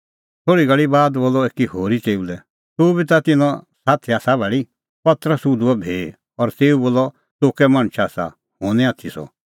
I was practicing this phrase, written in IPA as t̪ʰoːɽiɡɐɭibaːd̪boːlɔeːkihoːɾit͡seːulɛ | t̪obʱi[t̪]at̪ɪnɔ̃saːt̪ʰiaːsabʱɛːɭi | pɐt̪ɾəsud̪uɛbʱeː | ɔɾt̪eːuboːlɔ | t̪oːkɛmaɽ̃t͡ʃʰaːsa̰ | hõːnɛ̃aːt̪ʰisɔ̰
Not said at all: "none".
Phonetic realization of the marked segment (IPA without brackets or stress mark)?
t̪